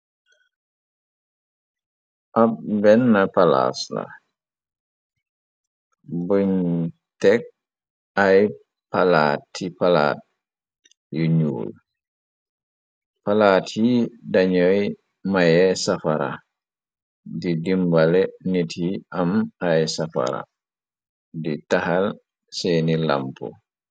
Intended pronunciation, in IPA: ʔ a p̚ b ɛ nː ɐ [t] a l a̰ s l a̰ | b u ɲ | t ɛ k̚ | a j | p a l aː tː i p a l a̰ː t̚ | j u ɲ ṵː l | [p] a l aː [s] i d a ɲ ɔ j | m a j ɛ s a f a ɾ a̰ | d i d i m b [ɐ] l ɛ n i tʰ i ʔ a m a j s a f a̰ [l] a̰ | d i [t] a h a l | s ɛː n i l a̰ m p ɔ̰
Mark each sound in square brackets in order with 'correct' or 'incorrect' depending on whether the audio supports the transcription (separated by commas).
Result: incorrect, correct, incorrect, incorrect, incorrect, correct